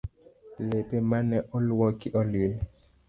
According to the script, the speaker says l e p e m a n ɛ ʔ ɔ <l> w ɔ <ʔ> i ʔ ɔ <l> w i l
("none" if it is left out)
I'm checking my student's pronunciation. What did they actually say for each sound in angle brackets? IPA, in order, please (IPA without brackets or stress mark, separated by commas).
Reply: l, k, l